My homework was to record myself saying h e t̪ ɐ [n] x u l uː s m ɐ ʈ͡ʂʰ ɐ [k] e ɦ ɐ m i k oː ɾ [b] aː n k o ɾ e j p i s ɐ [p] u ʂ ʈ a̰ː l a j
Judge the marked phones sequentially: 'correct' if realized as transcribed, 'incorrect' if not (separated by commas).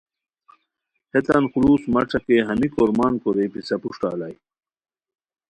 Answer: correct, correct, incorrect, correct